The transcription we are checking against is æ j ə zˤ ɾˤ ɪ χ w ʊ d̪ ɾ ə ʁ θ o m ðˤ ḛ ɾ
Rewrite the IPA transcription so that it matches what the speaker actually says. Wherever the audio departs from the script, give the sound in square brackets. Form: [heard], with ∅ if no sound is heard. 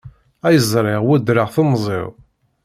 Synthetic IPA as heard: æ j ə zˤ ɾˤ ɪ [ʁ] w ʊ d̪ ɾ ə ʁ θ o m [zˤ] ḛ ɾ